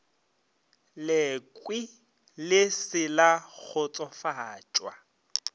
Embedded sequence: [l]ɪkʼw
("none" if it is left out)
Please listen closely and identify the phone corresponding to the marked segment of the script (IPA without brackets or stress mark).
l